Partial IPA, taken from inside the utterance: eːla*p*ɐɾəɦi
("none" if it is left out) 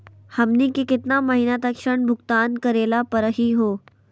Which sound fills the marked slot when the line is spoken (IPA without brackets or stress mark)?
p